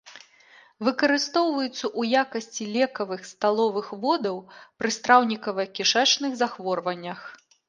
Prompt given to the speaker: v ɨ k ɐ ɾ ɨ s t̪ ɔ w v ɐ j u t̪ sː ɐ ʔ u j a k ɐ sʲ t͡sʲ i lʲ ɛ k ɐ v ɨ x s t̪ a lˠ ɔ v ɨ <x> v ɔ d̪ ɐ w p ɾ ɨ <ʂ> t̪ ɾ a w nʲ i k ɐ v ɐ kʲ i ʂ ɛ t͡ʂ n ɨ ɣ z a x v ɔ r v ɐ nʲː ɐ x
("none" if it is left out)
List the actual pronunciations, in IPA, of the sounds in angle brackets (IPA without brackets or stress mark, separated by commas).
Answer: x, s